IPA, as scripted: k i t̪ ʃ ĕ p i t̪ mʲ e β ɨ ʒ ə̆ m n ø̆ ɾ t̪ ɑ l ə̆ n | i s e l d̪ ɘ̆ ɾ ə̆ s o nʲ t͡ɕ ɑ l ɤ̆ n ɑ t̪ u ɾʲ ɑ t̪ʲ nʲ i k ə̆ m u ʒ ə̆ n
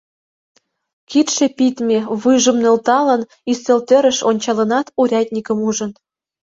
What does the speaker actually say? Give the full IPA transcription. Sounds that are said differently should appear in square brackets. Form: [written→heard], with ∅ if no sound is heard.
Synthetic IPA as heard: k i t̪ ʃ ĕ p i t̪ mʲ e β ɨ ʒ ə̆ m n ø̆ [ɾ→l] t̪ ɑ l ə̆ n | i s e l [d̪→t̪] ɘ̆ ɾ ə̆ [s→ʃ] o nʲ t͡ɕ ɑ l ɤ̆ n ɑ t̪ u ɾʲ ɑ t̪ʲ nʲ i k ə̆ m u ʒ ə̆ n